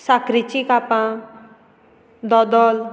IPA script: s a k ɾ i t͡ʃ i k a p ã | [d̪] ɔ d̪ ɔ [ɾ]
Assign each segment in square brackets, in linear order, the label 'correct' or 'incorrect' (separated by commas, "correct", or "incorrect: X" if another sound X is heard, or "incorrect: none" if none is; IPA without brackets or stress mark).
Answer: correct, incorrect: l